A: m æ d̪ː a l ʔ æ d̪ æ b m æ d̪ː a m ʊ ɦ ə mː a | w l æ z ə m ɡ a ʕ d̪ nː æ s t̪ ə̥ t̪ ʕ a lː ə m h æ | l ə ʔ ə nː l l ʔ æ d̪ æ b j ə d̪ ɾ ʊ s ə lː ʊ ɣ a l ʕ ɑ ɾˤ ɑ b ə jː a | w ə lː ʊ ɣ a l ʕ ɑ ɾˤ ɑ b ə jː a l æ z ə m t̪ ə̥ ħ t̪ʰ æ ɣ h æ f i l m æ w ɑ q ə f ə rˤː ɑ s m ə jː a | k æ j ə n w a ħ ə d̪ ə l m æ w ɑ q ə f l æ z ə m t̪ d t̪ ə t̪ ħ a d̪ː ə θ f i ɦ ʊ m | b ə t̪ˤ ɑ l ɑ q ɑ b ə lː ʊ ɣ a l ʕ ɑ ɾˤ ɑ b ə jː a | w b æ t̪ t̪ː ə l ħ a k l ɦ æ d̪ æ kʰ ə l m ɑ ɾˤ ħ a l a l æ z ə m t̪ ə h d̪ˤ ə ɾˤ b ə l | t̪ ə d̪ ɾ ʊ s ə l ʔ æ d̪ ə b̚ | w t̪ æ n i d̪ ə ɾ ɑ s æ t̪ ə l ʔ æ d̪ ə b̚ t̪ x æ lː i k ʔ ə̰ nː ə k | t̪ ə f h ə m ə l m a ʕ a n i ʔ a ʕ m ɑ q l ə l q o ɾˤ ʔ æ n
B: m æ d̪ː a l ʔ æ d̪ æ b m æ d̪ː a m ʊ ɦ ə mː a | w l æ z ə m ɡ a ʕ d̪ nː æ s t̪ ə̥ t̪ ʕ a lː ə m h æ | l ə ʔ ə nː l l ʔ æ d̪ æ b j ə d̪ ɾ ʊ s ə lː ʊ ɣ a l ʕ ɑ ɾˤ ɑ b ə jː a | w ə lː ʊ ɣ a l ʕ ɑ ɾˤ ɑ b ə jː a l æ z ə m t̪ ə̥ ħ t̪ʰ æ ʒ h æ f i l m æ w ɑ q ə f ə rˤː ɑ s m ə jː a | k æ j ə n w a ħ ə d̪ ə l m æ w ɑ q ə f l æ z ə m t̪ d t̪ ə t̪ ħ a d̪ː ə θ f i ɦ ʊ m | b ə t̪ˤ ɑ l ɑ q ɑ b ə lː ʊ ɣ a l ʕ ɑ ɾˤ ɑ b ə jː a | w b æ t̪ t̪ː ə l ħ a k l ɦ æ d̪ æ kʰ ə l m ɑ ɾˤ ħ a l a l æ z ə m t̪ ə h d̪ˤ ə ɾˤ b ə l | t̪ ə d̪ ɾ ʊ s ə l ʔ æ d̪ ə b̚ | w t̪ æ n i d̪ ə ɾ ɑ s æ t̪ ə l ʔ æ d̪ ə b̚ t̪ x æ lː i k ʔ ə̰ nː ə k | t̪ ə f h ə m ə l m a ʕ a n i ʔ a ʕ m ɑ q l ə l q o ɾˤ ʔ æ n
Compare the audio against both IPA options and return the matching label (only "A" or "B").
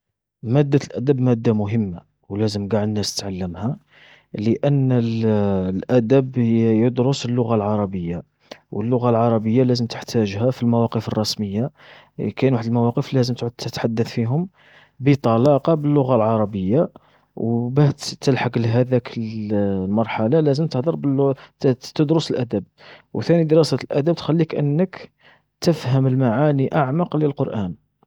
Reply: B